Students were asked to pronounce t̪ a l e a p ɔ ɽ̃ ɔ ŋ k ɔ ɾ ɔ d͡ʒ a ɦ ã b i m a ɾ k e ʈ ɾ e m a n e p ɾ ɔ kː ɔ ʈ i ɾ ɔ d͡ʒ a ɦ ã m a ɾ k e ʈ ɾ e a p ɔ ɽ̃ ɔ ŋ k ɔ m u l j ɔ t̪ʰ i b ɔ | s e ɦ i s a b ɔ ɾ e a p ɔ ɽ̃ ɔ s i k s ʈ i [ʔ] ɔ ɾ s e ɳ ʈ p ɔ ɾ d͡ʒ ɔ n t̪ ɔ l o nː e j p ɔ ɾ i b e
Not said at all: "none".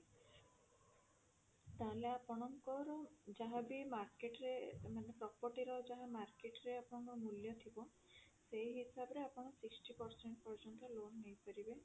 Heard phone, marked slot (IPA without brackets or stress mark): p